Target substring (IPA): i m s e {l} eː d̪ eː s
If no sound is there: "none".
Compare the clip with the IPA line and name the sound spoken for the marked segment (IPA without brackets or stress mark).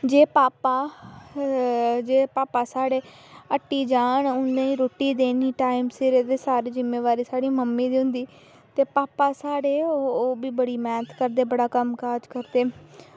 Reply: ɾ